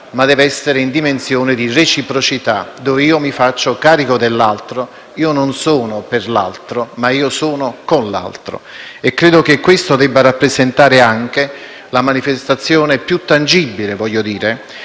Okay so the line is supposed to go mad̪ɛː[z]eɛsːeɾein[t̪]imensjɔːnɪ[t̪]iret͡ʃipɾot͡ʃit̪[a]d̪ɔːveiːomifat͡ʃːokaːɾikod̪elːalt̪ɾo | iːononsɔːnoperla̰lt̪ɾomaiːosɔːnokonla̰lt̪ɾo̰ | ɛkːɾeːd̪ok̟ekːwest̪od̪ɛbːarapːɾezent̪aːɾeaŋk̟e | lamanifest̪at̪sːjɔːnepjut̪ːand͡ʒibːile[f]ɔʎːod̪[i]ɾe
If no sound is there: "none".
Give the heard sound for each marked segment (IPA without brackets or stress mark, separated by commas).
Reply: v, d̪, d̪, a, v, iː